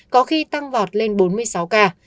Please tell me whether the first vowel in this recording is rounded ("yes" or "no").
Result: yes